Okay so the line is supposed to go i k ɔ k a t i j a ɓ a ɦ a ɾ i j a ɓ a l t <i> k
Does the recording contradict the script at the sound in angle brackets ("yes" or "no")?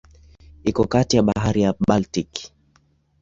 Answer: no